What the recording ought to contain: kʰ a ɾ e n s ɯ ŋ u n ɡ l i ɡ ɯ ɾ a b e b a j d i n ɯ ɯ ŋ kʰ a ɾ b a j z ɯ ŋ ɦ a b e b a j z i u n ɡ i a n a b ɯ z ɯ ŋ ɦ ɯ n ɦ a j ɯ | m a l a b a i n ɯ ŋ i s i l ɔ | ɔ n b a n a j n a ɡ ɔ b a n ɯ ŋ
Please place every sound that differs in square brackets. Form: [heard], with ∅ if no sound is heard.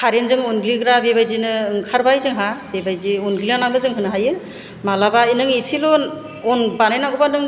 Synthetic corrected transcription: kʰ a ɾ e n [z] ɯ ŋ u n ɡ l i ɡ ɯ ɾ a b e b a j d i n ɯ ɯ ŋ kʰ a ɾ b a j z ɯ ŋ ɦ a b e b a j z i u n ɡ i a n a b ɯ z ɯ ŋ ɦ ɯ n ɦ a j ɯ | m a l a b a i n ɯ ŋ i s i l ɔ | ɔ n b a n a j n a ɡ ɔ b a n ɯ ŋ